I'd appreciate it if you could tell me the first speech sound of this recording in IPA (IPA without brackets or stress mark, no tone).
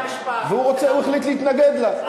v